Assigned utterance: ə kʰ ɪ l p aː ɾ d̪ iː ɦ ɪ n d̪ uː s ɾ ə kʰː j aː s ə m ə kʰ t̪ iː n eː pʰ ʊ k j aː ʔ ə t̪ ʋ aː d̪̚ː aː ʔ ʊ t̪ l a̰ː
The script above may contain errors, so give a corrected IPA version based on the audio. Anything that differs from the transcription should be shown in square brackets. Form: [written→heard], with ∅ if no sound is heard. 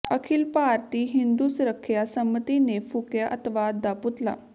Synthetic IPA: ə kʰ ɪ l p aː ɾ [d̪→t̪] iː ɦ ɪ n d̪ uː s ɾ ə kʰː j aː s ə m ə [kʰ→∅] t̪ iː n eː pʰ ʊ k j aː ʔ ə t̪ ʋ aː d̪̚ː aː [ʔ→p] ʊ t̪ l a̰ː